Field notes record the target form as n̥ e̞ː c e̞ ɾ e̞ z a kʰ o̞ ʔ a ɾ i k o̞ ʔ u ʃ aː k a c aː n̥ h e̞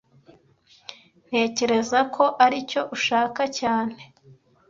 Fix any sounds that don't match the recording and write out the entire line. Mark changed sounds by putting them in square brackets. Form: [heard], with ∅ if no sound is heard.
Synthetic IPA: n̥ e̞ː c e̞ ɾ e̞ z a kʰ o̞ ʔ a ɾ i [c] o̞ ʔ u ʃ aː k a c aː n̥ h e̞